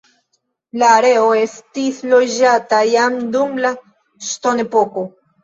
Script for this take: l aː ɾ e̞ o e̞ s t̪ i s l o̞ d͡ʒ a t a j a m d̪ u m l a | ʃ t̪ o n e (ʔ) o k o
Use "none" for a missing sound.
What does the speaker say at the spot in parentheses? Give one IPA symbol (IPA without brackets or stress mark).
p